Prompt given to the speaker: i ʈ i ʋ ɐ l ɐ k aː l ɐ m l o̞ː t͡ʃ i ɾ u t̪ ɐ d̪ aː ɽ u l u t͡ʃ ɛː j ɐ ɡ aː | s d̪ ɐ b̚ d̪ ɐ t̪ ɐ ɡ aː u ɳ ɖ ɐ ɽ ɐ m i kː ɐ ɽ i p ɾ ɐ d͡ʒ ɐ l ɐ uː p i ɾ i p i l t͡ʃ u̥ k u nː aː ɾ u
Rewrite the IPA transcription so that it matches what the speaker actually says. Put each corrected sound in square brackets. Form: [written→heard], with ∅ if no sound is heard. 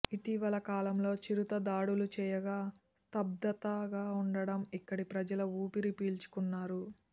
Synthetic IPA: i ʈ i ʋ ɐ l ɐ k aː l ɐ m l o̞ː t͡ʃ i ɾ u t̪ ɐ d̪ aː ɽ u l u t͡ʃ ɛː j ɐ ɡ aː | s [d̪→t̪] ɐ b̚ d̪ ɐ t̪ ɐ ɡ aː u ɳ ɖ ɐ ɽ ɐ m i kː ɐ ɽ i p ɾ ɐ d͡ʒ ɐ l ɐ uː p i ɾ i p [i→iː] l t͡ʃ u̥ k u nː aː ɾ u